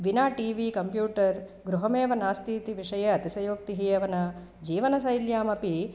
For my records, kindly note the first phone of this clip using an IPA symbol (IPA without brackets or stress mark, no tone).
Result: ʋ